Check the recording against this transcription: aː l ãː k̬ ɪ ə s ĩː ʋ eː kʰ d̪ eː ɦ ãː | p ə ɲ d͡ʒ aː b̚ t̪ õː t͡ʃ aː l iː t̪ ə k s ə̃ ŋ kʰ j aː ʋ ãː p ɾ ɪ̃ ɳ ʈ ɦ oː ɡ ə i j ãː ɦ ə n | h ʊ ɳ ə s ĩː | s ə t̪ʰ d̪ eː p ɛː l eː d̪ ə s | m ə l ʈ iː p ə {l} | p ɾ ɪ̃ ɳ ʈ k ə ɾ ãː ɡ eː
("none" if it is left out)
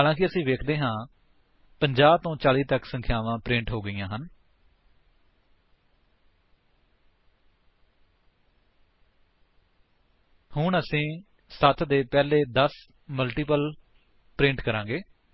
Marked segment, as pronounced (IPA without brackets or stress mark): l